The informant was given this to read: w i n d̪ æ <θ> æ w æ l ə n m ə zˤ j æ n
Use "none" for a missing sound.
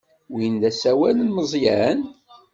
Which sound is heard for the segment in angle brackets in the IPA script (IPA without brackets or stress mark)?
s